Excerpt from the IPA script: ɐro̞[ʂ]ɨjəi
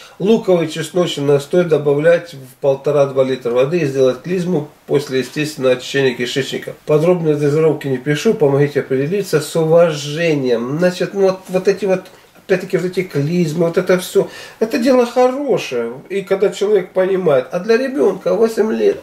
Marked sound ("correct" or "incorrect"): correct